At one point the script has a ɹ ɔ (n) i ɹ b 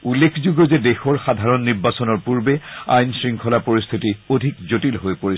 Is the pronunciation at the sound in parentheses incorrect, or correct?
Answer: incorrect: nː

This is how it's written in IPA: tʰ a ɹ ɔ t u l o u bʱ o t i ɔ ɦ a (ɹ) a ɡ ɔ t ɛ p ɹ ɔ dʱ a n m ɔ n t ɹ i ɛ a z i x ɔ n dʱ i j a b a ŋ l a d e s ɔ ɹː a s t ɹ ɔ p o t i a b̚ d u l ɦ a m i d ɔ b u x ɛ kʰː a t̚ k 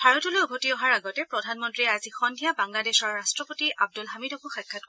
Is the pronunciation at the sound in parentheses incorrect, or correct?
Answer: correct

